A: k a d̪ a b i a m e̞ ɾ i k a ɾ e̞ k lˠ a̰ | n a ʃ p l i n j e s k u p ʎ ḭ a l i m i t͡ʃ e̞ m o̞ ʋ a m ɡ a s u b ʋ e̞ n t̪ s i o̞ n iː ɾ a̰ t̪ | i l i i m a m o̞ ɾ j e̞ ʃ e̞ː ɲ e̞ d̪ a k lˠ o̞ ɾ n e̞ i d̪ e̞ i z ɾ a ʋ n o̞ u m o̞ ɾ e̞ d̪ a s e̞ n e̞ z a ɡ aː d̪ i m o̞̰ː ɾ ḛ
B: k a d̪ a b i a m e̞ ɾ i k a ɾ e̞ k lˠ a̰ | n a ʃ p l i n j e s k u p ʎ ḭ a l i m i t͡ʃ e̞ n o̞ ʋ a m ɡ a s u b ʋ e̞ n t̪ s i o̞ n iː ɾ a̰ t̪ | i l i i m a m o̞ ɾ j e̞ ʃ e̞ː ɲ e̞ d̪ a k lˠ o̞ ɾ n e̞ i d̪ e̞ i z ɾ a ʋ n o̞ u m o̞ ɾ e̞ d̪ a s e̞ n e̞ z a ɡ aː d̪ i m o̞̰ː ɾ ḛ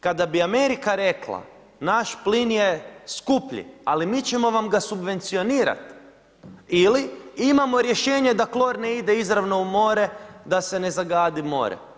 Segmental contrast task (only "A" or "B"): A